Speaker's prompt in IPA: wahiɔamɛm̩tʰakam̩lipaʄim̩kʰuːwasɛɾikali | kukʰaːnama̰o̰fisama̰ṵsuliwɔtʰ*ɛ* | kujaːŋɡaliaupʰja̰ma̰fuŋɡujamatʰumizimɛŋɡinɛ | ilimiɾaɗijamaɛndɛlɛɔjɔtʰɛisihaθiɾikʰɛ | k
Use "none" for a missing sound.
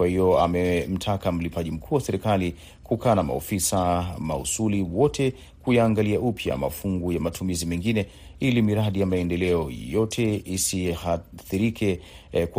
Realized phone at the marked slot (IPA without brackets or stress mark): ɛ